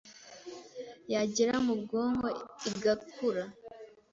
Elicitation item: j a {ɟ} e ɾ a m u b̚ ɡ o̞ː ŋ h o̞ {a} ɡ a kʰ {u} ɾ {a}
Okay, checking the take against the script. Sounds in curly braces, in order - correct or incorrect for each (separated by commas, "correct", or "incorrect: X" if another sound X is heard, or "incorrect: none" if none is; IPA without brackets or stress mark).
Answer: correct, incorrect: i, correct, correct